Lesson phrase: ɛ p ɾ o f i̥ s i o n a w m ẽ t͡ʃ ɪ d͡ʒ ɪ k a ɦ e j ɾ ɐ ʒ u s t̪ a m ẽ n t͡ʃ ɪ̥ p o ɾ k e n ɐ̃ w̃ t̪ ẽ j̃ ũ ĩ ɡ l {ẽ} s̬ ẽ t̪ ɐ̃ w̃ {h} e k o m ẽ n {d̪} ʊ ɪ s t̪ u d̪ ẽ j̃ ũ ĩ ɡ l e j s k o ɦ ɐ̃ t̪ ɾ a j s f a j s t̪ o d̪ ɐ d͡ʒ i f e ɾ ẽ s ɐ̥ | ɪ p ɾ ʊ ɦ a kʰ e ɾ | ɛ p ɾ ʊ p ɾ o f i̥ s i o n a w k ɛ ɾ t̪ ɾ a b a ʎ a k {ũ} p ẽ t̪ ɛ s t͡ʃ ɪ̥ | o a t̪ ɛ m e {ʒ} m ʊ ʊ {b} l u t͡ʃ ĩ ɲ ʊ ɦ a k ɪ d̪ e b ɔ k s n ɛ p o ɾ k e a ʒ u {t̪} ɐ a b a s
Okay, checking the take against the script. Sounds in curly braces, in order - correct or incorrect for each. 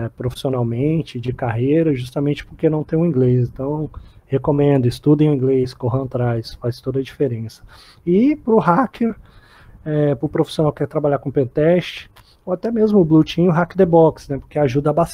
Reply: incorrect: e, correct, correct, incorrect: õ, incorrect: z, correct, incorrect: d̪

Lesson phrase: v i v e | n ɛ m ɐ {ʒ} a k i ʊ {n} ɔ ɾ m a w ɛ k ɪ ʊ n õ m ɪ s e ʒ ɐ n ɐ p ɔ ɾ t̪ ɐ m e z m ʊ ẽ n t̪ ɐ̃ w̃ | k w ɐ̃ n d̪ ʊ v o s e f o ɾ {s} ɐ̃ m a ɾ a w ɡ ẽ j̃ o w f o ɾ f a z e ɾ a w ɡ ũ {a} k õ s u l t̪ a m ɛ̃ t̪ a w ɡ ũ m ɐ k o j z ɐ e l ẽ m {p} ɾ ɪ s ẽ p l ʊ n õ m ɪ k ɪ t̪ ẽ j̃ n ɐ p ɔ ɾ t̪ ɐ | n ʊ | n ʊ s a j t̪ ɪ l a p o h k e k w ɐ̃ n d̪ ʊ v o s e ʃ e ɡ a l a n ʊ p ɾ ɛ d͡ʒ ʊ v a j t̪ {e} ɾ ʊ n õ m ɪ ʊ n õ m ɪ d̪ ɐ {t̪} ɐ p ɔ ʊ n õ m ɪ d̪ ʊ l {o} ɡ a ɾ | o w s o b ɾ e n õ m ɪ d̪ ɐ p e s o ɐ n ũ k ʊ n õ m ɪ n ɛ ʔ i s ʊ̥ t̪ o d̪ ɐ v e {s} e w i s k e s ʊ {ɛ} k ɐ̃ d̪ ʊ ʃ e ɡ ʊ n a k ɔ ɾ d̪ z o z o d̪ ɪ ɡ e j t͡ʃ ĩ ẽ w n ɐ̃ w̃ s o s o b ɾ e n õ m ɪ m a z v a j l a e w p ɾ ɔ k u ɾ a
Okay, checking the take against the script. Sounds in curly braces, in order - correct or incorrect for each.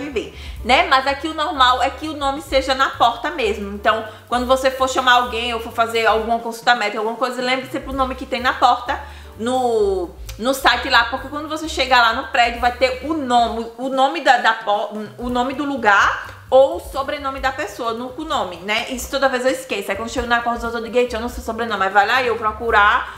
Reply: incorrect: z, correct, incorrect: ʃ, incorrect: ɐ, incorrect: b, correct, incorrect: d̪, incorrect: u, incorrect: z, correct

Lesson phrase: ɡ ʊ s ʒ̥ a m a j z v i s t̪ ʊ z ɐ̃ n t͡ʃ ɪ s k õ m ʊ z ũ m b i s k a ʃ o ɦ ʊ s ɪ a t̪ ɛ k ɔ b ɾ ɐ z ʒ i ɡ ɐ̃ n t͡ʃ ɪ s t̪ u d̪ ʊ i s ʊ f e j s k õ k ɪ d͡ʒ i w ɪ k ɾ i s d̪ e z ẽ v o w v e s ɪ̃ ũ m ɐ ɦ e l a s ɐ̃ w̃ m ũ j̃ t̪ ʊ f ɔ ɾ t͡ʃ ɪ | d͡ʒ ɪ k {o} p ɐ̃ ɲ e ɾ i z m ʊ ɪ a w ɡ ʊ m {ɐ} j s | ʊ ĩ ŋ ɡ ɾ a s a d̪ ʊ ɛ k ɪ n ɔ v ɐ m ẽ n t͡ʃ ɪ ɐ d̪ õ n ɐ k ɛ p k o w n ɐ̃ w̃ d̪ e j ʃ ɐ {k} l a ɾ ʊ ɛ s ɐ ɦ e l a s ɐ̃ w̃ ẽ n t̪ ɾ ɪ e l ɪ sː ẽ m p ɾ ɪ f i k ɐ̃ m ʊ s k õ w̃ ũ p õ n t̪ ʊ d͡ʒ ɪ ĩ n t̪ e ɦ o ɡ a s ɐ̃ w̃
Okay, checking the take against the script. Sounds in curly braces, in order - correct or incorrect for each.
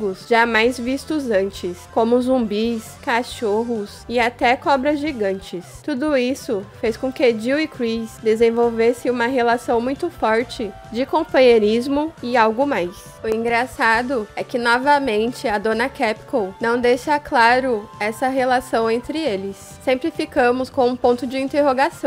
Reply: incorrect: õ, incorrect: a, correct

